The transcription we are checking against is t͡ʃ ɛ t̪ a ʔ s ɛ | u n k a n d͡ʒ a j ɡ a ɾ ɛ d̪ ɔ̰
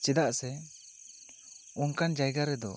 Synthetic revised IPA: t͡ʃ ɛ d̪ a ʔ s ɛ | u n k a n d͡ʒ a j ɡ a ɾ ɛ d̪ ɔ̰